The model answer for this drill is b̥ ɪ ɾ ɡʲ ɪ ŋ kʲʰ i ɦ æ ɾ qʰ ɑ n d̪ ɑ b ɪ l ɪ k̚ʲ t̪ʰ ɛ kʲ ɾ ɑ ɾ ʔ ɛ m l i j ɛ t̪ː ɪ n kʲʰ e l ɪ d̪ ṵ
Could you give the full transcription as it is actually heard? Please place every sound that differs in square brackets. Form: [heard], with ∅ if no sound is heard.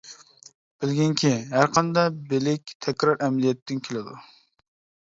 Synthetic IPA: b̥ ɪ [l] ɡʲ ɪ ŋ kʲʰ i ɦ æ ɾ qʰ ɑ n d̪ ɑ b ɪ l ɪ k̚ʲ t̪ʰ ɛ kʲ ɾ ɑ ɾ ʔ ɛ m l i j ɛ t̪ː ɪ n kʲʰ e l ɪ d̪ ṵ